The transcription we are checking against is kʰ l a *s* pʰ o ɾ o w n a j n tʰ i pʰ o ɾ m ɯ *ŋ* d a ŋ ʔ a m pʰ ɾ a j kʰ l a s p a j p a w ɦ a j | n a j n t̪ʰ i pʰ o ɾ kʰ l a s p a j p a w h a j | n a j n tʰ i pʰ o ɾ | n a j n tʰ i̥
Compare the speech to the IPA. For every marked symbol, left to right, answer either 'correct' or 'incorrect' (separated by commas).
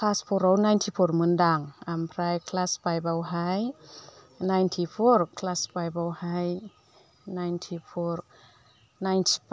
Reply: correct, incorrect